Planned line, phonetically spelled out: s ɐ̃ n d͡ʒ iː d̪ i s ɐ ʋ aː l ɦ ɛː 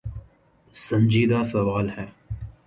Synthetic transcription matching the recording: s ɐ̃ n d͡ʒ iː d̪ a s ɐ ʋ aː l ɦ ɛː